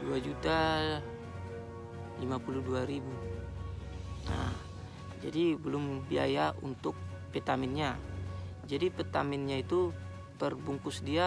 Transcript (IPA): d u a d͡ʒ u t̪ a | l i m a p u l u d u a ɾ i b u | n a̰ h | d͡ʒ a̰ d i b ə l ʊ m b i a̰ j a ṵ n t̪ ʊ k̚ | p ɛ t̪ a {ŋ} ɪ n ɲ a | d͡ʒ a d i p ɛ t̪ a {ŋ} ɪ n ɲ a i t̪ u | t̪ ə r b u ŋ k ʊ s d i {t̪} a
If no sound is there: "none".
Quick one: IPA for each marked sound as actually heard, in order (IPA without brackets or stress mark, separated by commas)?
m, m, none